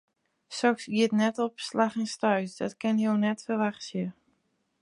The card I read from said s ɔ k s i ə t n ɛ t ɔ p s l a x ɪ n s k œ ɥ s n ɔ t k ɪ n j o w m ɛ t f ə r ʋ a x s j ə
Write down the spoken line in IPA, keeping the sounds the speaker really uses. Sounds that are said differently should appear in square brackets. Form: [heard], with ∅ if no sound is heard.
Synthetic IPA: s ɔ k s i ə t n ɛ t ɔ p s l a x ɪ n s [t] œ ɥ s [d] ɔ t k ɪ n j o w [n] ɛ t f ə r ʋ a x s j ə